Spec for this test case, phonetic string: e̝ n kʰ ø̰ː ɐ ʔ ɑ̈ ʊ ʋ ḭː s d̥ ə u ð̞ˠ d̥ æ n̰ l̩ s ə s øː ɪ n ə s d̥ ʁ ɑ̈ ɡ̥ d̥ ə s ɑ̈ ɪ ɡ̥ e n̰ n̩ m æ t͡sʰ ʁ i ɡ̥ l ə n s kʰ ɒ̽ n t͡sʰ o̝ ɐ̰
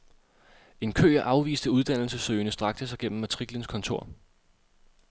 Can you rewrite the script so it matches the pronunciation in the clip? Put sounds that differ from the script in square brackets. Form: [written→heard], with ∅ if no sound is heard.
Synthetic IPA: e̝ n kʰ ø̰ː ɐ ʔ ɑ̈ ʊ ʋ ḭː s d̥ ə u ð̞ˠ d̥ æ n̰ l̩ s ə s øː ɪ n ə s d̥ ʁ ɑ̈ ɡ̥ d̥ ə s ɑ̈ ɪ ɡ̥ e n̰ [n̩→m̩] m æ t͡sʰ ʁ i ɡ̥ l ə n s kʰ ɒ̽ n t͡sʰ o̝ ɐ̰